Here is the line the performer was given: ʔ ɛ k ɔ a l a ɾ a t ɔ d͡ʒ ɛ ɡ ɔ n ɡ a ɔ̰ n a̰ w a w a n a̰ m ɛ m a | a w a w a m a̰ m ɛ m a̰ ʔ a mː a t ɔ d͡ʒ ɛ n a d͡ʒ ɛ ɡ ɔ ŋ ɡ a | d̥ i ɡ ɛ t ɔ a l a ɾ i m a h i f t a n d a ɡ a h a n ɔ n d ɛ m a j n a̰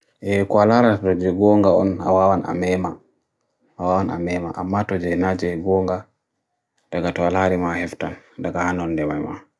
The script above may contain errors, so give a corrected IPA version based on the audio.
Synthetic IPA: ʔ ɛ k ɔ a l a ɾ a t ɔ d͡ʒ ɛ ɡ ɔ ŋ ɡ a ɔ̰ n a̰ w a w a n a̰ m ɛ m a | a w a w a n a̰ m ɛ m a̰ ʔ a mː a t ɔ d͡ʒ ɛ n a d͡ʒ ɛ ɡ ɔ ŋ ɡ a | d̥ a ɡ a t ɔ a l a ɾ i m a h ɛ f t a n d a ɡ a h a n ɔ n d ɛ m a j m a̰